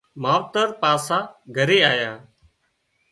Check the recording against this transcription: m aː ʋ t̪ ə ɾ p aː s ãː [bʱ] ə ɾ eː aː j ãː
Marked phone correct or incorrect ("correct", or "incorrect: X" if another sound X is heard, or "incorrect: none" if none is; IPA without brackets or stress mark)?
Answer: incorrect: ɡʱ